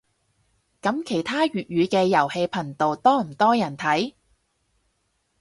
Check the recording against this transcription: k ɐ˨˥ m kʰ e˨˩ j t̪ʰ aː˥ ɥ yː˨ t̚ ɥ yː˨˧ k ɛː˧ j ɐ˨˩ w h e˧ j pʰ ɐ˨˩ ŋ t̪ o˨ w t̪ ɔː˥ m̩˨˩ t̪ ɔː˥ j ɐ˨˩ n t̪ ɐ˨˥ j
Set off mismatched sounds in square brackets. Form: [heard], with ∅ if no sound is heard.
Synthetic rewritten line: k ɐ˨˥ m kʰ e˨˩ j t̪ʰ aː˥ ɥ yː˨ t̚ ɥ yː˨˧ k ɛː˧ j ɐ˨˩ w h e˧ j pʰ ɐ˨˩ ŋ t̪ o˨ w t̪ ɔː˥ m̩˨˩ t̪ ɔː˥ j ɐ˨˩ n [t̪ʰ] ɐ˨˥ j

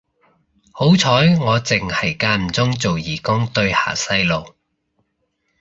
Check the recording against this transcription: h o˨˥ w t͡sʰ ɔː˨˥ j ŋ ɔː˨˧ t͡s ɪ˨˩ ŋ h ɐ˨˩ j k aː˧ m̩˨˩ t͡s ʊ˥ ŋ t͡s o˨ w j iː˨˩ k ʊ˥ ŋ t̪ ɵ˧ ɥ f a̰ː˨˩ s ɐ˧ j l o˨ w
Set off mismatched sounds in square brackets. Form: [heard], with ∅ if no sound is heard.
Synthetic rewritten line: h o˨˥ w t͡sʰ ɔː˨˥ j ŋ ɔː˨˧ t͡s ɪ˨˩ ŋ h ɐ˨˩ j k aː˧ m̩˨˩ t͡s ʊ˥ ŋ t͡s o˨ w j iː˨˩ k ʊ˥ ŋ t̪ ɵ˧ ɥ [h] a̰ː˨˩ s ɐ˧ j l o˨ w

